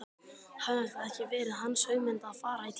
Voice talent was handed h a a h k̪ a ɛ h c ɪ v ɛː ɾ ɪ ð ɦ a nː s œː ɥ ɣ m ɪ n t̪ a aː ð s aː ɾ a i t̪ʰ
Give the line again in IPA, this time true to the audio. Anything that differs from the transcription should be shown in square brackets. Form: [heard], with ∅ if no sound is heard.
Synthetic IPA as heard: h a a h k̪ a ɛ h c ɪ v ɛː ɾ ɪ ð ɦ a nː s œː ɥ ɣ m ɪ n t̪ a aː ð [f] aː ɾ a i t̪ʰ